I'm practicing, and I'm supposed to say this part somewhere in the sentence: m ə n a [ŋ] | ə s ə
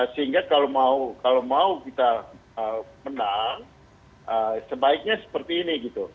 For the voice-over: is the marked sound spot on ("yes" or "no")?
yes